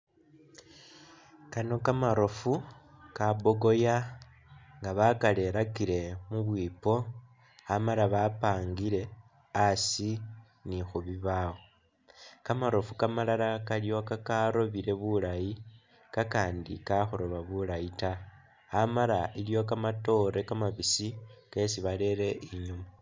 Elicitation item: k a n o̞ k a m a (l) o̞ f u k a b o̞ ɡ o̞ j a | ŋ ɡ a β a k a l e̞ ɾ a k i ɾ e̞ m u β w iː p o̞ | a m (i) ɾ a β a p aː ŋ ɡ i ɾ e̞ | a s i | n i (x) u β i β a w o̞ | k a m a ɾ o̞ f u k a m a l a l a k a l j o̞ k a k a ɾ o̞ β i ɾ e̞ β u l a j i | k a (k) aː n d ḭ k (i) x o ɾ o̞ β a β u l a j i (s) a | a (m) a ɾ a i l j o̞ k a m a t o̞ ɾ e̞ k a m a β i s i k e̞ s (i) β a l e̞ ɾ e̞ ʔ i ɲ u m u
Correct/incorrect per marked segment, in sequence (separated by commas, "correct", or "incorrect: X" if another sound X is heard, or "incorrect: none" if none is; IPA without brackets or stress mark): incorrect: ɾ, incorrect: a, correct, correct, incorrect: a, incorrect: t, correct, correct